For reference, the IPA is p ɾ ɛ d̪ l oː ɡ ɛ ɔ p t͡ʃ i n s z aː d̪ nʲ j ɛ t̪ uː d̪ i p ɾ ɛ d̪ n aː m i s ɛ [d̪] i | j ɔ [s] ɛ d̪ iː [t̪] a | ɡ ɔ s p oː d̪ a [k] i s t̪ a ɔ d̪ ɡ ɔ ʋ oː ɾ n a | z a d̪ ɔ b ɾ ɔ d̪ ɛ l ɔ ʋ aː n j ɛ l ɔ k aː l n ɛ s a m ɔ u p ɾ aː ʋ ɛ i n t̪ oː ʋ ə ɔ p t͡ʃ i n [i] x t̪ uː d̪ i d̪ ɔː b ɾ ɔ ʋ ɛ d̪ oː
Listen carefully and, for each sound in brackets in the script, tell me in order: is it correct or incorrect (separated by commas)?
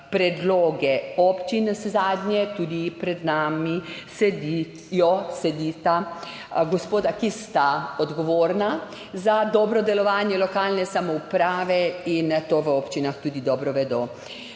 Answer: correct, correct, correct, correct, incorrect